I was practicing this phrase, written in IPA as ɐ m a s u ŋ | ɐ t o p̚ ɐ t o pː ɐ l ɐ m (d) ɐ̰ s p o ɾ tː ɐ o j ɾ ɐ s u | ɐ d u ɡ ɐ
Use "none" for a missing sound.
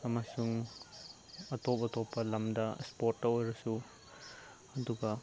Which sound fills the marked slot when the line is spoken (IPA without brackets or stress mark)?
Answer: d